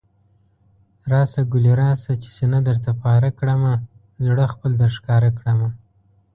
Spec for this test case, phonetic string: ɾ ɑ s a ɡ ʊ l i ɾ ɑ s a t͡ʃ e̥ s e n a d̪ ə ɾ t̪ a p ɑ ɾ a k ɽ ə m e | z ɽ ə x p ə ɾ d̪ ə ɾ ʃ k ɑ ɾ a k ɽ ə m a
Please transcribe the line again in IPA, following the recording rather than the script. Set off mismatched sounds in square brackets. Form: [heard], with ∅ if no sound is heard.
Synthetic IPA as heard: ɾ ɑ s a ɡ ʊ l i ɾ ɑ s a t͡ʃ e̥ s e n a d̪ ə ɾ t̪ a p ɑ ɾ a k ɽ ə m [a] | z ɽ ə x p ə [l] d̪ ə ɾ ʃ k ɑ ɾ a k ɽ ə m a